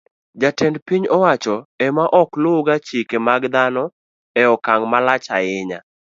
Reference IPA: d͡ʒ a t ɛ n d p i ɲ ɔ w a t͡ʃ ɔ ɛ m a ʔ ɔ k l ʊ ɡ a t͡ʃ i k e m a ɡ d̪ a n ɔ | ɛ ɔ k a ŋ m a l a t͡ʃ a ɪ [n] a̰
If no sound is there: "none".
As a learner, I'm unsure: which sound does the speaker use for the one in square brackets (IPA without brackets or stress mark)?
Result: ɲ